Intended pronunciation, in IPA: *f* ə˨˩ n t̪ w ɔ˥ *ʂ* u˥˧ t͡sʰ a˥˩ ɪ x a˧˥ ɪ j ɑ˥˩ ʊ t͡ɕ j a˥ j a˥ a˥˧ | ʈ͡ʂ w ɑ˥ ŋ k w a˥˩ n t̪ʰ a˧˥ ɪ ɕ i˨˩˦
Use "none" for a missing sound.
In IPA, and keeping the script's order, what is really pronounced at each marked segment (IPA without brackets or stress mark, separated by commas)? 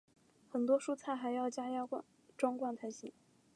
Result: x, ʂ